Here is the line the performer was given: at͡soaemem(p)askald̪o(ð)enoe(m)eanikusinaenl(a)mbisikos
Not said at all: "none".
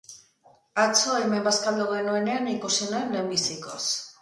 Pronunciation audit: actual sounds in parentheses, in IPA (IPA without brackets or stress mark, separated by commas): b, ɣ, n, e